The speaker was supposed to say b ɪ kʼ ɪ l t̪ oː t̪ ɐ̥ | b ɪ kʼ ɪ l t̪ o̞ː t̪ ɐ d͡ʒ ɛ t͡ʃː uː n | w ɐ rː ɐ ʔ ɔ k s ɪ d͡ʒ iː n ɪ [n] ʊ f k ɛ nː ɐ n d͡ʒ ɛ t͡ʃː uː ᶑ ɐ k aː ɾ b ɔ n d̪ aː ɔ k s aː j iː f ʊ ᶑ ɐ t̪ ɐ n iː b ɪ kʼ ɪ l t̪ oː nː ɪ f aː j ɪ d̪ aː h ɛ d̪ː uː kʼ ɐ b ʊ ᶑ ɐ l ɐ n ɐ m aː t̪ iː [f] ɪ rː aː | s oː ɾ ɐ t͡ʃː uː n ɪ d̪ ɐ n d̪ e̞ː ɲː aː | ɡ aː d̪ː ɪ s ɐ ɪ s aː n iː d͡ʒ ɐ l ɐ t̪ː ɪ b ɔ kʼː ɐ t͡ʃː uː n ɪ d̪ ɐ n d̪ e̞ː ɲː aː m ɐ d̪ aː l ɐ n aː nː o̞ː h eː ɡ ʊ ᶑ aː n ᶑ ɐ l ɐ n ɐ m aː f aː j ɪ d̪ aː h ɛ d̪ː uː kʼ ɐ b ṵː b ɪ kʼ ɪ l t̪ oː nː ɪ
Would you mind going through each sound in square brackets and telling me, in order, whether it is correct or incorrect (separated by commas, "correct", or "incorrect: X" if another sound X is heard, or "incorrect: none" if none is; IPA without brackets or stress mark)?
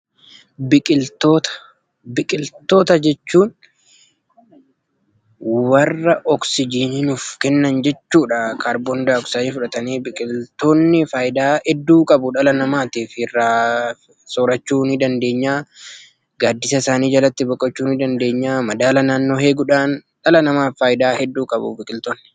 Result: correct, correct